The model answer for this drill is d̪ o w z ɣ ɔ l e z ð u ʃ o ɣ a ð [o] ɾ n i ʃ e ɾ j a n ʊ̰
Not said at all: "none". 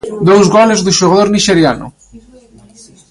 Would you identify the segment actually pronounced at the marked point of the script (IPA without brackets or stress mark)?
o